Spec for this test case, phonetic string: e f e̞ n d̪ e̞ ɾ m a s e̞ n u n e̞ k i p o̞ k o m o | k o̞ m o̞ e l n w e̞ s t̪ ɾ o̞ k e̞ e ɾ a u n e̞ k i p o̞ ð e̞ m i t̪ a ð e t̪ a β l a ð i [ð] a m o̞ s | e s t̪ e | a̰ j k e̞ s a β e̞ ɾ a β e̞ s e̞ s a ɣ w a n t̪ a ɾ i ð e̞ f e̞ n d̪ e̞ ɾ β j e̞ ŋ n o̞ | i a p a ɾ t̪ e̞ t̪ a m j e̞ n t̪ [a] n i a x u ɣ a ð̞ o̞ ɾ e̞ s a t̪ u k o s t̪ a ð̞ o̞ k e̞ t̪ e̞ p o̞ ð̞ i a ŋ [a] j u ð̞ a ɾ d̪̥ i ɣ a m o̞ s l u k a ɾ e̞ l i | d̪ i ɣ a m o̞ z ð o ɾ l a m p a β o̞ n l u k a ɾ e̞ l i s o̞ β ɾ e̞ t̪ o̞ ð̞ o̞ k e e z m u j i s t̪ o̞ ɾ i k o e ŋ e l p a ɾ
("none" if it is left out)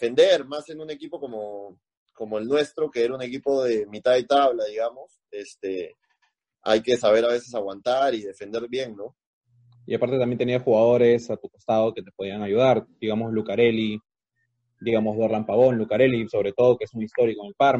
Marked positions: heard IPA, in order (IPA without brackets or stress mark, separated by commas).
ɣ, e, a